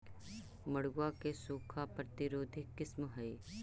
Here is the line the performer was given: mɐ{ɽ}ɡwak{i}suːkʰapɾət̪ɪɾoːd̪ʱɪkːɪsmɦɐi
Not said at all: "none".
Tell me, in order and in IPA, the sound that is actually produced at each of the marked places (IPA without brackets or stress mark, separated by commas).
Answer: ɽ, e